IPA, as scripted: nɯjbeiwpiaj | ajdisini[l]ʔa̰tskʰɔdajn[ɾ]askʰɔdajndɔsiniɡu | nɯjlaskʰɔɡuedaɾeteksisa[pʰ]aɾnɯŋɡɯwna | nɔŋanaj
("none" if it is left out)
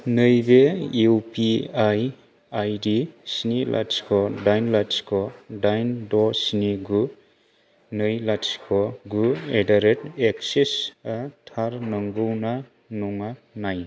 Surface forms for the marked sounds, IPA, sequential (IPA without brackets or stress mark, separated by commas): l, l, tʰ